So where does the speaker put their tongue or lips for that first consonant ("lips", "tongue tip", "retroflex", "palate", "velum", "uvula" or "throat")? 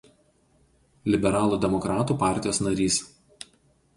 tongue tip